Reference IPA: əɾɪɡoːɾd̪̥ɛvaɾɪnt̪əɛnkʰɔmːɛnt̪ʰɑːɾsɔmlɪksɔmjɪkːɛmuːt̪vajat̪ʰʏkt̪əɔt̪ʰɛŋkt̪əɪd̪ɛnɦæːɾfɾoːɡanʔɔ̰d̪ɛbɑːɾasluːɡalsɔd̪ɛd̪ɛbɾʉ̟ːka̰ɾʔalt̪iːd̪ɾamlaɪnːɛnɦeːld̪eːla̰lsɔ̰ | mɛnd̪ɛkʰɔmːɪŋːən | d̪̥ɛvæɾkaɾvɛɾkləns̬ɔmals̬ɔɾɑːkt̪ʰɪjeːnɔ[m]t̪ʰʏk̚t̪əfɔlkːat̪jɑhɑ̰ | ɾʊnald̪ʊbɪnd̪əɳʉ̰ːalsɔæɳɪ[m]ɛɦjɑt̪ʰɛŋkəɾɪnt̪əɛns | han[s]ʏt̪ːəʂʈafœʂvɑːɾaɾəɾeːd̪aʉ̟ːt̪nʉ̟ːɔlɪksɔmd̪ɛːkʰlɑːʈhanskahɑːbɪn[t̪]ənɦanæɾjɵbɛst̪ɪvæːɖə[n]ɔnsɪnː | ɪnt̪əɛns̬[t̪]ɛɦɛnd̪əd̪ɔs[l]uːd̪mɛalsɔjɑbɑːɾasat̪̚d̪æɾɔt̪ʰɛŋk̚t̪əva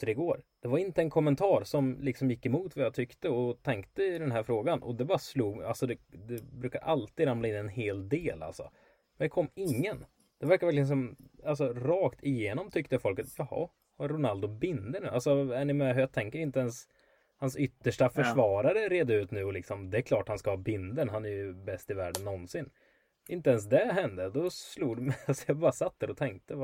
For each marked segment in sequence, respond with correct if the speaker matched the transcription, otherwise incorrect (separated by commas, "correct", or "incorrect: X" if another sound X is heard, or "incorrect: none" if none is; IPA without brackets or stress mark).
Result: correct, correct, correct, incorrect: d̪, incorrect: nː, incorrect: d̪, correct